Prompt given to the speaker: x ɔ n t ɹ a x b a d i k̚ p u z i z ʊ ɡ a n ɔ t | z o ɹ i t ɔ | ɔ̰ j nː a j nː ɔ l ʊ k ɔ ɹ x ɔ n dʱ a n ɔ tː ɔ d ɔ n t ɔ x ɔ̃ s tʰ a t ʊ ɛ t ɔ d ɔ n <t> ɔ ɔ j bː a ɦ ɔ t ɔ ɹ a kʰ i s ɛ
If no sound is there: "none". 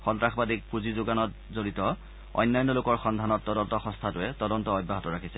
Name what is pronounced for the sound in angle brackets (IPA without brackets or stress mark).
t